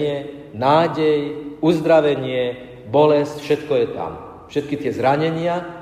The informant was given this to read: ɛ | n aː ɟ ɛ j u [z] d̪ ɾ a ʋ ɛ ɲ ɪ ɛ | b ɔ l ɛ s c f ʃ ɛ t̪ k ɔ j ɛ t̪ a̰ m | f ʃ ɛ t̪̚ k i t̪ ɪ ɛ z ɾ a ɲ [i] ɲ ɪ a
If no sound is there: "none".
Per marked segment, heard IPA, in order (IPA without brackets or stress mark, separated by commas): z, ɛ